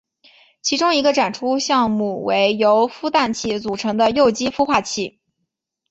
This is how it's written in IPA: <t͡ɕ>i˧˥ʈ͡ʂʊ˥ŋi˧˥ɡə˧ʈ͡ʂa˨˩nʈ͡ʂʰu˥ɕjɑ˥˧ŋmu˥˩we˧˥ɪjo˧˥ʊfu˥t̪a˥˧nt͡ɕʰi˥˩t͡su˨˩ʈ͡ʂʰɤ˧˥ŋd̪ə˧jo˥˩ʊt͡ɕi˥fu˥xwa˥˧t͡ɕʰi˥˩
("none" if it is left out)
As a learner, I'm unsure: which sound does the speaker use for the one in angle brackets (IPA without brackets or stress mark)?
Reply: t͡ɕʰ